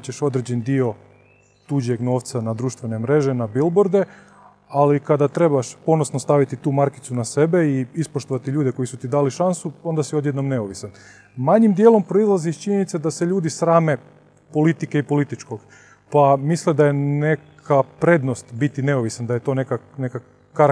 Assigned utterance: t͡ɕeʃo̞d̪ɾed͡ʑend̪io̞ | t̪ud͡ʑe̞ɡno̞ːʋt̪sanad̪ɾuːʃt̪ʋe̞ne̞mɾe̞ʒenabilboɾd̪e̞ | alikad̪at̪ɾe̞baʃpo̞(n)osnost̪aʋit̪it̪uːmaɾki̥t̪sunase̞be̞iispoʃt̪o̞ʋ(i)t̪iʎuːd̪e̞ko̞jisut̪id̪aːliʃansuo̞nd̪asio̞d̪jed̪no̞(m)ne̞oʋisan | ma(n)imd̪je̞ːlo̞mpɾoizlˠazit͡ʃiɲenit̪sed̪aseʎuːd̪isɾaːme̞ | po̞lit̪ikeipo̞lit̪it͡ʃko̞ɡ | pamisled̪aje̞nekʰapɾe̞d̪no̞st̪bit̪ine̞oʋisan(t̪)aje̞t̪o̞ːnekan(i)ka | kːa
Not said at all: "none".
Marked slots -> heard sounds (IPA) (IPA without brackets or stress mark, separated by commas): n, a, m, ɲ, d̪, e